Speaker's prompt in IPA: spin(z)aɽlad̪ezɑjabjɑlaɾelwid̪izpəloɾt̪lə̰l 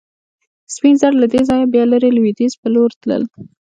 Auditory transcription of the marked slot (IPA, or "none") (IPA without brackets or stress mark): z